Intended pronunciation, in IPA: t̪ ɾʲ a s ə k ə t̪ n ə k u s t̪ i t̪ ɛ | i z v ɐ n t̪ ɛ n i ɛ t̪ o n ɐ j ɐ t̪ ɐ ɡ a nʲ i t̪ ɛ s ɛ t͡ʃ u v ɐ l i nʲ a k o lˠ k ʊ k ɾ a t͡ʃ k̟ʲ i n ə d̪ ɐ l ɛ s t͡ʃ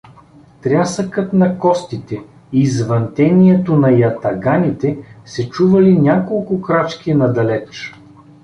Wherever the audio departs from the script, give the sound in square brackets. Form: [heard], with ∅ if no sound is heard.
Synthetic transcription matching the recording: t̪ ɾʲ a s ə k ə t̪ n [ɐ] k [ɔ] s t̪ i t̪ ɛ | i z v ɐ n t̪ ɛ n i ɛ t̪ o n ɐ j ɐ t̪ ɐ ɡ a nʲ i t̪ ɛ s ɛ t͡ʃ u v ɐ l i nʲ a k o lˠ k ʊ k ɾ a t͡ʃ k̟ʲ i n [ɐ] d̪ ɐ l ɛ [∅] t͡ʃ